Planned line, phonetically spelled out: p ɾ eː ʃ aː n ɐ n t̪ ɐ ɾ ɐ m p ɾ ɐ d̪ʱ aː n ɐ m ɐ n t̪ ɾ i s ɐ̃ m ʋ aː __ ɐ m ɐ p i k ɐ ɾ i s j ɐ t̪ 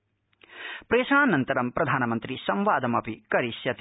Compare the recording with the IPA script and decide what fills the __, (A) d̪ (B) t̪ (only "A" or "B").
A